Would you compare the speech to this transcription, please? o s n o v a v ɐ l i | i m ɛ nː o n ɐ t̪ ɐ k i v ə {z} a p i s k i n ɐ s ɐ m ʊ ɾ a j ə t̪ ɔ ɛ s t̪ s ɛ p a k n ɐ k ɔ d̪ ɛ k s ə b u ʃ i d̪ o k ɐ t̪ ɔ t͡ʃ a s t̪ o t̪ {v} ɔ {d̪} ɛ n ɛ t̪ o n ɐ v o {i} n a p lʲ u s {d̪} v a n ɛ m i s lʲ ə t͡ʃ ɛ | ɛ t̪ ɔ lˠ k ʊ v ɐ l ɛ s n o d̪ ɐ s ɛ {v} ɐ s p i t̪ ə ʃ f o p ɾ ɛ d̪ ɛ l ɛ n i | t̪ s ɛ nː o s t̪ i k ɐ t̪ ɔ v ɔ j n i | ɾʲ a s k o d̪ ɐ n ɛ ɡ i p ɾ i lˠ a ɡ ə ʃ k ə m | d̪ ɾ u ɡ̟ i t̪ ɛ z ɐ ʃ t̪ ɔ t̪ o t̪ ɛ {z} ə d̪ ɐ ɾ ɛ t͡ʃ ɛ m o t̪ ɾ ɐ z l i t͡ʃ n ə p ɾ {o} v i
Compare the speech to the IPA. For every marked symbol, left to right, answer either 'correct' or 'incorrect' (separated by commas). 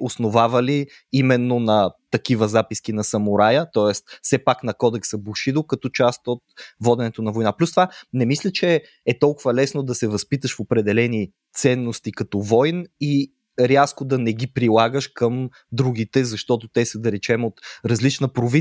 correct, correct, correct, incorrect, incorrect, correct, incorrect, correct